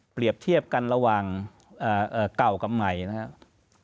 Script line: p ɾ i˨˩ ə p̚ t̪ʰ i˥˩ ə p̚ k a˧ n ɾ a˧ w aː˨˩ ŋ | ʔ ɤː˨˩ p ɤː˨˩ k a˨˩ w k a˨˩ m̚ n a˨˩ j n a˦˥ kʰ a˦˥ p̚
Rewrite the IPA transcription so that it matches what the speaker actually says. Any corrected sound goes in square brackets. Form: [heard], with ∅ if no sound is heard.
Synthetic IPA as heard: p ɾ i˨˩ ə p̚ t̪ʰ i˥˩ ə p̚ k a˧ n ɾ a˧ w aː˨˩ ŋ | ʔ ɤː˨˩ [ʔ] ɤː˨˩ k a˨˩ w k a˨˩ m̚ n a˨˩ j n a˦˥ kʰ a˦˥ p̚